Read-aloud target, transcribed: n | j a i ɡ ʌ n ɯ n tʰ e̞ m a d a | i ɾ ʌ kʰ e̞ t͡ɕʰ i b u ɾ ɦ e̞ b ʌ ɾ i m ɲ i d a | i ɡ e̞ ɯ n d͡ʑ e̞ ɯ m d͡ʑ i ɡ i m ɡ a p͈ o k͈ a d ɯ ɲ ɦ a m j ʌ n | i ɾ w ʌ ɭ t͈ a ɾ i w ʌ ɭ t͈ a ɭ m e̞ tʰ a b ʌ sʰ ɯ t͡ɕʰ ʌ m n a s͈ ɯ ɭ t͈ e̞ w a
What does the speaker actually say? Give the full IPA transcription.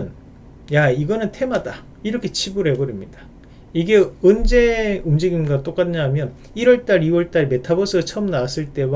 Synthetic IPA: n | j a i ɡ ʌ n ɯ n tʰ e̞ m a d a | i ɾ ʌ kʰ e̞ t͡ɕʰ i b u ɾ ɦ e̞ b ʌ ɾ i m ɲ i d a | i ɡ e̞ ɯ n d͡ʑ e̞ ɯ m d͡ʑ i ɡ i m ɡ a t͈ o k͈ a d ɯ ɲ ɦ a m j ʌ n | i ɾ w ʌ ɭ t͈ a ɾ i w ʌ ɭ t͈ a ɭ m e̞ tʰ a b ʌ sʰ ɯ t͡ɕʰ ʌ m n a s͈ ɯ ɭ t͈ e̞ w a